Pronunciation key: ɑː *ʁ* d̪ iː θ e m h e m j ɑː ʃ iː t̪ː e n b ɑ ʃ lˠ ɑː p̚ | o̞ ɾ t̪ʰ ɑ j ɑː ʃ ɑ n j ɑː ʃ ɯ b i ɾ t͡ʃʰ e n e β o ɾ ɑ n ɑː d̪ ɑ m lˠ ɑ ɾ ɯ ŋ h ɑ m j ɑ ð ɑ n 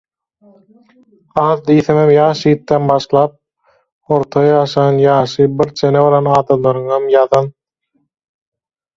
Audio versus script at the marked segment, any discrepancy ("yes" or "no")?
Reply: yes